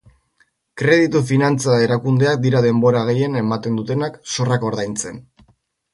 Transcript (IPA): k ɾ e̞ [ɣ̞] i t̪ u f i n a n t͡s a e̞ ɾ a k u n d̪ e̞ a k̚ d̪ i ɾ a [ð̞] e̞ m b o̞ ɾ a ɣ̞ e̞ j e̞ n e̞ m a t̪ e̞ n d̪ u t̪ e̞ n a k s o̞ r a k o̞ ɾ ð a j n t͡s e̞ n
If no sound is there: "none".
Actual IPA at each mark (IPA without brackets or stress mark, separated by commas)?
ð̞, ð̞